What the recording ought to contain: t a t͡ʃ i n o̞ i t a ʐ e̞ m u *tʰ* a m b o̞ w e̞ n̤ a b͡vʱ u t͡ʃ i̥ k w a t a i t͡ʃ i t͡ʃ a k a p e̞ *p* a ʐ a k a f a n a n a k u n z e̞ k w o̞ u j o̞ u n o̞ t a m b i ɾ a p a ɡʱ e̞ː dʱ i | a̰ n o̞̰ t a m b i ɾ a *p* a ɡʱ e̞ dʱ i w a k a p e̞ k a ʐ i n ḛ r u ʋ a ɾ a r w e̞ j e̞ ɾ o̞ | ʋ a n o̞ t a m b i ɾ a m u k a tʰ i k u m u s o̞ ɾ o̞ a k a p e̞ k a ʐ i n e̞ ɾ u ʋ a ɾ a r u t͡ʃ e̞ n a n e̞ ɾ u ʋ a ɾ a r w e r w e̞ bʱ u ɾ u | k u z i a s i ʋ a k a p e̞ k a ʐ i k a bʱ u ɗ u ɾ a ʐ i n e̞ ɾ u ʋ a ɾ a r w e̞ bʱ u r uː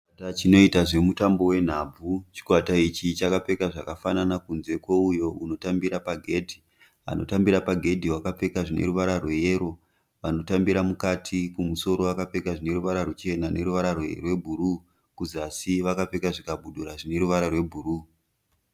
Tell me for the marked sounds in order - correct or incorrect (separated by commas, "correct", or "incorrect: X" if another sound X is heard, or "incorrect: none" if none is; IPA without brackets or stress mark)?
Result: incorrect: t, incorrect: k, correct